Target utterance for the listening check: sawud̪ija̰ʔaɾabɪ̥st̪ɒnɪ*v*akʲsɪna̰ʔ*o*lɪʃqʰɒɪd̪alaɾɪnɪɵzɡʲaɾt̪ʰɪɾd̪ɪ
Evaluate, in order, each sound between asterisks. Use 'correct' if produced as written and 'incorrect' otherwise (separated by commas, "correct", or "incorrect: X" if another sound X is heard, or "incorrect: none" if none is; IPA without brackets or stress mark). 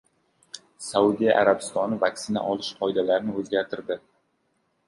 correct, incorrect: ɒ